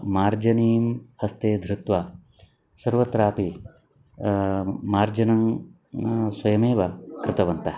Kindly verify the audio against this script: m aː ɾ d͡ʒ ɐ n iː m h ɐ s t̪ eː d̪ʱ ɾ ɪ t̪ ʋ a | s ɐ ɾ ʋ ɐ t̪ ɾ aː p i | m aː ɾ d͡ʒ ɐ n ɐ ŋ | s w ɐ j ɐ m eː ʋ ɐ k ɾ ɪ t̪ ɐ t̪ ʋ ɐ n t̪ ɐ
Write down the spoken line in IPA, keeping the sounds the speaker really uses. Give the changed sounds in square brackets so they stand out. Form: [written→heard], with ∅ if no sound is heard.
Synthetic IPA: m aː ɾ d͡ʒ ɐ n iː m h ɐ s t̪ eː d̪ʱ ɾ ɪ t̪ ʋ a | s ɐ ɾ ʋ ɐ t̪ ɾ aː p i | m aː ɾ d͡ʒ ɐ n ɐ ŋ | s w ɐ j ɐ m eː ʋ ɐ k ɾ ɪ t̪ ɐ [t̪→∅] ʋ ɐ n t̪ ɐ